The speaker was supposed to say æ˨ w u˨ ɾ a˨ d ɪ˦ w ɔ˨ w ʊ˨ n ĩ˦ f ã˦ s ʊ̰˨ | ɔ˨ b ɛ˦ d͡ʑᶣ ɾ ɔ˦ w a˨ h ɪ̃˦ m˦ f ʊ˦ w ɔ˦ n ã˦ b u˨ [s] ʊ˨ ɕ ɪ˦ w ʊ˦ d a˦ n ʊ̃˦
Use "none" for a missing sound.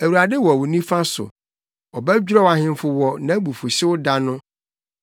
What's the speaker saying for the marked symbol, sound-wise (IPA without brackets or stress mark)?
f